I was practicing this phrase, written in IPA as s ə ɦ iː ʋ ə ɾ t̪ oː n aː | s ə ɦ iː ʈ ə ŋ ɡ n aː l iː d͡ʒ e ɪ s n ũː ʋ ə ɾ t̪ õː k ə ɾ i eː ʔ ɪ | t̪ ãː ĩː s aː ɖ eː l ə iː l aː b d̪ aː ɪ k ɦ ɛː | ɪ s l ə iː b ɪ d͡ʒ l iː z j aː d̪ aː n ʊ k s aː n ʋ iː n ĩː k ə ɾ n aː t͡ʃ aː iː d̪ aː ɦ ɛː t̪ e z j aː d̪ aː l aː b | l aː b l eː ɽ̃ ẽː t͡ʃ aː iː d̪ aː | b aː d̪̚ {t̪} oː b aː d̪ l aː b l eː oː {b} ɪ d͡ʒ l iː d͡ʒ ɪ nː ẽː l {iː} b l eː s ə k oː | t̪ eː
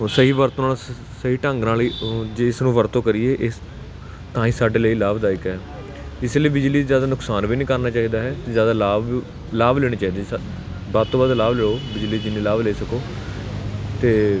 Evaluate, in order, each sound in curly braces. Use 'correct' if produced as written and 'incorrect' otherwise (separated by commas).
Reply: correct, correct, incorrect